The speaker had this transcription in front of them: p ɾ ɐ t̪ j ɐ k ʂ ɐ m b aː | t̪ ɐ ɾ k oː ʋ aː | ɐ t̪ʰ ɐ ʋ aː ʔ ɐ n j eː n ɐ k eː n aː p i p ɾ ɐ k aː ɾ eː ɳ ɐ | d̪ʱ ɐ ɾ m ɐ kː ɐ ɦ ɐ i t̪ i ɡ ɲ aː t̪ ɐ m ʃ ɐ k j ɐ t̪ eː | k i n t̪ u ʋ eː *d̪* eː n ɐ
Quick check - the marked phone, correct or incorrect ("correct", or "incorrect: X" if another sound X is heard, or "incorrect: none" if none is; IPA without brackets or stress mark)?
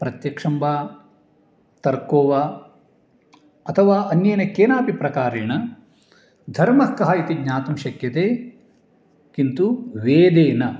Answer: correct